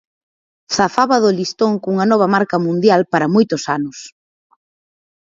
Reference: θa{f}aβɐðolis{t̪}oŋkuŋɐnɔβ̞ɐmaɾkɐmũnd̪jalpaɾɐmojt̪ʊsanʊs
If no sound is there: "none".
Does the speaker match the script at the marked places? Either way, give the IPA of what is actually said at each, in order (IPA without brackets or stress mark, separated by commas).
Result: f, t̪